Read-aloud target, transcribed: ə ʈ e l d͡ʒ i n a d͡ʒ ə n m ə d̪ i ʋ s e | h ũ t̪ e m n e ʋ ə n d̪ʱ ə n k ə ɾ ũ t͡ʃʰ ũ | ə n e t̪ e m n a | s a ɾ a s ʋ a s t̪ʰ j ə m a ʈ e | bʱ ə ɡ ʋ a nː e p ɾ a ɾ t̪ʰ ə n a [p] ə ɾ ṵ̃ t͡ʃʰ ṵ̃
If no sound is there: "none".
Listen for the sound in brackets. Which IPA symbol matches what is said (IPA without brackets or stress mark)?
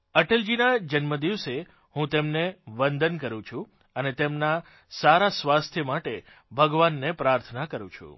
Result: k